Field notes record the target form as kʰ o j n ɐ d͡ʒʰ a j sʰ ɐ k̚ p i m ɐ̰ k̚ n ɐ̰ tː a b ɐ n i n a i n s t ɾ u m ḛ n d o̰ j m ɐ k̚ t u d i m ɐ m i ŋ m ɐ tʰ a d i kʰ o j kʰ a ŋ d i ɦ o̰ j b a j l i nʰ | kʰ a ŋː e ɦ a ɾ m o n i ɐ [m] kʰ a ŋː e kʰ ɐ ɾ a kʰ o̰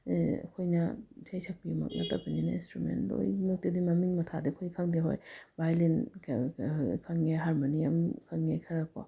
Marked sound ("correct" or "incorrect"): correct